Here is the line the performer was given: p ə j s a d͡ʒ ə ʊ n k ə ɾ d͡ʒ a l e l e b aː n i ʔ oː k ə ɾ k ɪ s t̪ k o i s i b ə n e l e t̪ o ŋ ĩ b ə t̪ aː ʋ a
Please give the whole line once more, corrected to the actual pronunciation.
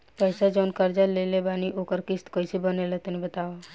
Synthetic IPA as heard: p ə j s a d͡ʒ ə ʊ n k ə ɾ d͡ʒ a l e l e b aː n i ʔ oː k ə ɾ k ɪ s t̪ k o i s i b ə n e l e t̪ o n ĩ b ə t̪ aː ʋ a